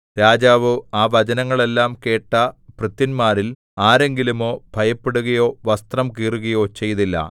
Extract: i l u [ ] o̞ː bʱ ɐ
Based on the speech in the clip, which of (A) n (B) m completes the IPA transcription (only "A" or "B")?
B